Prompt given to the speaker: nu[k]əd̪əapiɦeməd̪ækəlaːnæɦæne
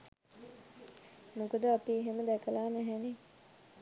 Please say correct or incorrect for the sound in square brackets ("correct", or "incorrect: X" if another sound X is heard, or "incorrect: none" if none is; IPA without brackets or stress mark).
correct